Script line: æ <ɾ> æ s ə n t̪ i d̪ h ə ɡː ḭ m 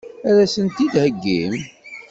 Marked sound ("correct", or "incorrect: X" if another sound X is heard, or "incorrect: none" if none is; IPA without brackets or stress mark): correct